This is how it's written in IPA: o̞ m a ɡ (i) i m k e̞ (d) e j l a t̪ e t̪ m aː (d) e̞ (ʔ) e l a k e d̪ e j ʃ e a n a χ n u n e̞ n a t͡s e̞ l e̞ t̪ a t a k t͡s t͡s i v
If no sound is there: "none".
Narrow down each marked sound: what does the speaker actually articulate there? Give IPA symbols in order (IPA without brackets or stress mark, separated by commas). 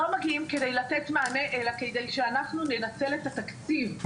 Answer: i, d, n, ʔ